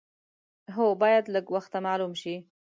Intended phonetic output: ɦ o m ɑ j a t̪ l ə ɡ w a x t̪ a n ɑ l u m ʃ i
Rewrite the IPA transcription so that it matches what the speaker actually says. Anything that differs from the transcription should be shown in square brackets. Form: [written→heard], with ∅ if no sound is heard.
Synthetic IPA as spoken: ɦ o [m→b] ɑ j a [t̪→d̪] l ə ɡ w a x t̪ a [n→m] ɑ l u m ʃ i